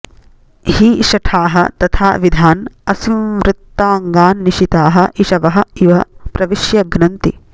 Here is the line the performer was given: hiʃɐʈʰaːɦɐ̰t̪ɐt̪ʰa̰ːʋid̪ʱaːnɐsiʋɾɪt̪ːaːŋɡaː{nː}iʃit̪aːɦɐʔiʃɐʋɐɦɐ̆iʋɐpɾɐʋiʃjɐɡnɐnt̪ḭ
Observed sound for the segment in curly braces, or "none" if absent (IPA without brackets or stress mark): nː